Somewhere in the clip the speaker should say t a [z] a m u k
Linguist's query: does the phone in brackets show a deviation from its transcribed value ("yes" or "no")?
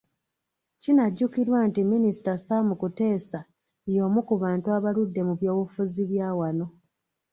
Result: yes